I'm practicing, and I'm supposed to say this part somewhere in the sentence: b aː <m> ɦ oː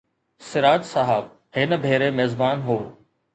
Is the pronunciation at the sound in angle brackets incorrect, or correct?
incorrect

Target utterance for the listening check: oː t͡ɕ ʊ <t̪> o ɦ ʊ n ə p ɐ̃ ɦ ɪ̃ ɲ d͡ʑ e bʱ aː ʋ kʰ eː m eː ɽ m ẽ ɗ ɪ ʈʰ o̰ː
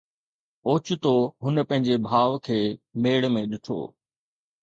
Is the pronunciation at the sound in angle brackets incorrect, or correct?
correct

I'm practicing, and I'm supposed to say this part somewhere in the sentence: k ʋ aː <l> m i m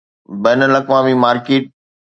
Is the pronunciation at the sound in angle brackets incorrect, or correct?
incorrect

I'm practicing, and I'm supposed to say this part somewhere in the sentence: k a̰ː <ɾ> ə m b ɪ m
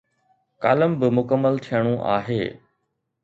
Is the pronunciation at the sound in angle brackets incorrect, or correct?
incorrect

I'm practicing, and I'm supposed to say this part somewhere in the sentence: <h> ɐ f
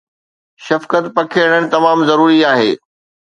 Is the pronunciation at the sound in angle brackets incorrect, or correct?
incorrect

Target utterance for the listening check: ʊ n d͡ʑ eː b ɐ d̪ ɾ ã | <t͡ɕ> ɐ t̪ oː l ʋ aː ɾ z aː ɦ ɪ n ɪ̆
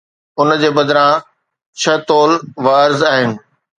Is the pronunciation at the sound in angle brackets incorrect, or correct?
incorrect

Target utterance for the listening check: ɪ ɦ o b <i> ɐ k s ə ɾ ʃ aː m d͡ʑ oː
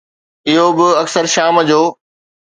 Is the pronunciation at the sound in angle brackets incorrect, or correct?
incorrect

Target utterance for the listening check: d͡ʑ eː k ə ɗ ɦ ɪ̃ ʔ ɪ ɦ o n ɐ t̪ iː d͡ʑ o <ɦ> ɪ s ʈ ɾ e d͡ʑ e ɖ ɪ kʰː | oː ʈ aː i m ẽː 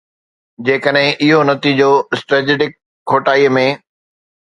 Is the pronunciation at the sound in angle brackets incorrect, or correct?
incorrect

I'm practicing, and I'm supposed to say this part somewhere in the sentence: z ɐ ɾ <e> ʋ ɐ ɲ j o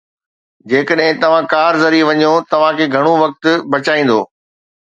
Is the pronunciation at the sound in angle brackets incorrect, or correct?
incorrect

